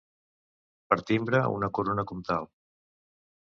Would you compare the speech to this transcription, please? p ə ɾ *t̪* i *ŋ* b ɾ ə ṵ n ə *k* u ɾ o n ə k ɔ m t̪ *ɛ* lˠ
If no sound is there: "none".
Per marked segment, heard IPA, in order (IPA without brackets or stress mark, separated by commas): t̪, m, k, a